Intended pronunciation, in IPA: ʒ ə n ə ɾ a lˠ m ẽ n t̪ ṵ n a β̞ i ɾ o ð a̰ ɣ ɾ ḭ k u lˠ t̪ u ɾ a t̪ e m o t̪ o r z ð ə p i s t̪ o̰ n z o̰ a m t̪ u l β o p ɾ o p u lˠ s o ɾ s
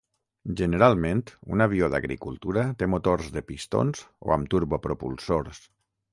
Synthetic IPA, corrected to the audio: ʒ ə n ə ɾ a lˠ m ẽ n t̪ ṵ n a β̞ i o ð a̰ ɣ ɾ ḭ k u lˠ t̪ u ɾ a t̪ e m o t̪ o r z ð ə p i s t̪ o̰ n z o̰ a m t̪ u ɾ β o p ɾ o p u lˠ s o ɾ s